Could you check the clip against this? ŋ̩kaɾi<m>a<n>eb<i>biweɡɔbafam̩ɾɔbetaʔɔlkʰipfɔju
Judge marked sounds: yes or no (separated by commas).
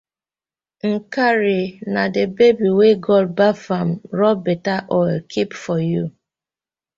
no, no, no